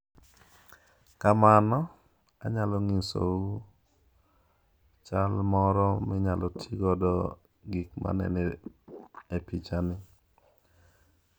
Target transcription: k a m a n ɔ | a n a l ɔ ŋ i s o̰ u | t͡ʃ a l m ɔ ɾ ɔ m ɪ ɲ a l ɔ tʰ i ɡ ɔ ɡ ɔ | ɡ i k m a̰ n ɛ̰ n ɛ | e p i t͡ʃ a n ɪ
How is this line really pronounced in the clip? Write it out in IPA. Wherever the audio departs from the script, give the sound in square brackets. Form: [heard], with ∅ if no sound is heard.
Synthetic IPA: k a m a n ɔ | a [ɲ] a l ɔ ŋ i s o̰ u | t͡ʃ a l m ɔ ɾ ɔ m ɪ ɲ a l ɔ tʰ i ɡ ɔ [d] ɔ | ɡ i k m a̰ n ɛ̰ n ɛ | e p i t͡ʃ a n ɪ